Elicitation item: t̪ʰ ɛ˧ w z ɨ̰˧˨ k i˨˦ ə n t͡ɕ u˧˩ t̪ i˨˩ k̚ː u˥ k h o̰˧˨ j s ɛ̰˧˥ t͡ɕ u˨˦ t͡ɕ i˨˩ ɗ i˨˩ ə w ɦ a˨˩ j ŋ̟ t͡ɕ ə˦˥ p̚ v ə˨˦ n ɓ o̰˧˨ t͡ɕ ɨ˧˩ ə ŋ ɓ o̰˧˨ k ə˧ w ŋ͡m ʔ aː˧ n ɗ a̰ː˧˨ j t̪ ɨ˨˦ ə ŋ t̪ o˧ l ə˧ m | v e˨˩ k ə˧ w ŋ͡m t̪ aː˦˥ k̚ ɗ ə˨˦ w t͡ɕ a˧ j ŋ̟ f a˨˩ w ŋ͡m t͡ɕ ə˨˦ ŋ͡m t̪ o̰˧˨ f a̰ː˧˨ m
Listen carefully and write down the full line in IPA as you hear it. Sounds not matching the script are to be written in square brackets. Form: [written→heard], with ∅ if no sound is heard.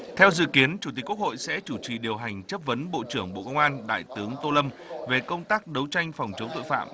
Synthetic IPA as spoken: t̪ʰ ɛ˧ w z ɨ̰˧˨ k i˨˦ ə n t͡ɕ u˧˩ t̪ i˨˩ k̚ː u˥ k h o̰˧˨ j s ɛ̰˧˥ t͡ɕ [u˨˦→u˧˩] t͡ɕ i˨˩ ɗ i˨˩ ə w ɦ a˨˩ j ŋ̟ t͡ɕ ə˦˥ p̚ v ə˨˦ n ɓ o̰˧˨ t͡ɕ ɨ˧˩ ə ŋ ɓ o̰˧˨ k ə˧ w ŋ͡m ʔ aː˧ n ɗ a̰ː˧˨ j t̪ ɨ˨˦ ə ŋ t̪ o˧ l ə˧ m | v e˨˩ k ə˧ w ŋ͡m t̪ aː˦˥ k̚ ɗ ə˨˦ w t͡ɕ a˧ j ŋ̟ f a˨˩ w ŋ͡m t͡ɕ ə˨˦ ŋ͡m t̪ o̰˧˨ f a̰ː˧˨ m